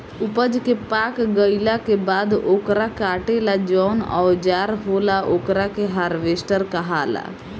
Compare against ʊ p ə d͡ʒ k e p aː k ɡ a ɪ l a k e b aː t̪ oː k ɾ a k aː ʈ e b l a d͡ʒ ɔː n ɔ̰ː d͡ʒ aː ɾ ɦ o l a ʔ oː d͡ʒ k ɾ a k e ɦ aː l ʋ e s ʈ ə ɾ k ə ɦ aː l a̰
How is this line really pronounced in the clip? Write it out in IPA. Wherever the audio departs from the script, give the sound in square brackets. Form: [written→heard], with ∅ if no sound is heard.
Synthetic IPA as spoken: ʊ p ə d͡ʒ k e p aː k ɡ [a→ə] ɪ l a k e b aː [t̪→d̪] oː k ɾ a k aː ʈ e [b→∅] l a d͡ʒ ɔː n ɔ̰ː d͡ʒ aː ɾ ɦ o l a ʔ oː [d͡ʒ→∅] k ɾ a k e ɦ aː [l→ɾ] ʋ e s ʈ ə ɾ k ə ɦ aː l a̰